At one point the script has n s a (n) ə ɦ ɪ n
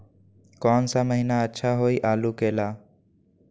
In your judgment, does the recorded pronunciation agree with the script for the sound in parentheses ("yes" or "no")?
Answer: no